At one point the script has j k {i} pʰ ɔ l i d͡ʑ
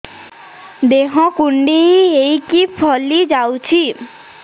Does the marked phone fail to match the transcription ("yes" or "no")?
no